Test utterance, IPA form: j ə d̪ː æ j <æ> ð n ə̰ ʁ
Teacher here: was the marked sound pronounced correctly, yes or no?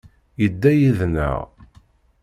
no